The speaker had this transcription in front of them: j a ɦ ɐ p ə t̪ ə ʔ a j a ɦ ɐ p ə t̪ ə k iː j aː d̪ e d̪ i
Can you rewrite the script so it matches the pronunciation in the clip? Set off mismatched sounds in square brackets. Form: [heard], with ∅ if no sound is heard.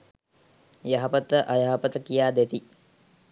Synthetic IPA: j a ɦ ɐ p ə t̪ ə ʔ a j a ɦ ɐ p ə t̪ ə k [i] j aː d̪ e [t̪] i